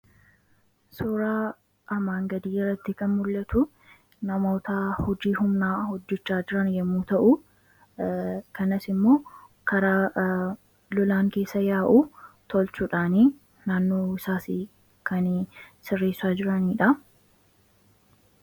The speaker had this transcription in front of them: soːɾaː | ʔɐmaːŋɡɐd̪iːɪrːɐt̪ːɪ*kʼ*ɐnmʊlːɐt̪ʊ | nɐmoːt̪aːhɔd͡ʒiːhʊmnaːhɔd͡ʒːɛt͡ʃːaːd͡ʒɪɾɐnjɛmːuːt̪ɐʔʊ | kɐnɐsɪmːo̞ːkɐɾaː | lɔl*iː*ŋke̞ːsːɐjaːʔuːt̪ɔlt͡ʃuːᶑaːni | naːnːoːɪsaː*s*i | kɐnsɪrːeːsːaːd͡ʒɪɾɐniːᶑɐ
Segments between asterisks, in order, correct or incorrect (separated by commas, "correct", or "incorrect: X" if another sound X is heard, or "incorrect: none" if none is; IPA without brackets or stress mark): incorrect: k, incorrect: aː, correct